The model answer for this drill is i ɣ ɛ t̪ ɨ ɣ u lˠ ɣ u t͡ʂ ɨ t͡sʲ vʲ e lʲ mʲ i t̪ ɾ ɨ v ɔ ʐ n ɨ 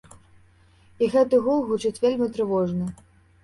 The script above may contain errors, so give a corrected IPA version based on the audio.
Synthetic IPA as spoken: i ɣ ɛ t̪ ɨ ɣ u lˠ ɣ u t͡ʂ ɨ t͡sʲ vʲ e lʲ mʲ i t̪ ɾ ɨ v ɔ ʐ n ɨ